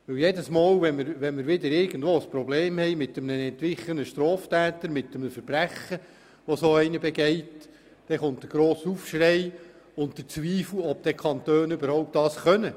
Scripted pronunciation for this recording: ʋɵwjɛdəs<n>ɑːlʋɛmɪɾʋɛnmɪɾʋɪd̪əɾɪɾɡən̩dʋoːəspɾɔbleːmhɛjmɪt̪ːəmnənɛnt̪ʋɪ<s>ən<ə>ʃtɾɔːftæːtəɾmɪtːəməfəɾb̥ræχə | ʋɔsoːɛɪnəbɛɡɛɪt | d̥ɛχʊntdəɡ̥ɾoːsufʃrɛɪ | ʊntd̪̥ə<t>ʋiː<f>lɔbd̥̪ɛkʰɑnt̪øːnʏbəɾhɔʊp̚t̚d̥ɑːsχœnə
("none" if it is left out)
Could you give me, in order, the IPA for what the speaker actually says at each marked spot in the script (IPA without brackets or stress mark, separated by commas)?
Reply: m, χ, ə, t͡s, f